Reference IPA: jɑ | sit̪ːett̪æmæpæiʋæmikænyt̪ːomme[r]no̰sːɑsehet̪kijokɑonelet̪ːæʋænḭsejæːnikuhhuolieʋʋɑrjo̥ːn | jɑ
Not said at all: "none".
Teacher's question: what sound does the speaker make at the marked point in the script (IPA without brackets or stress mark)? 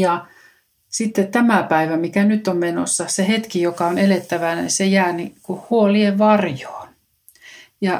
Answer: none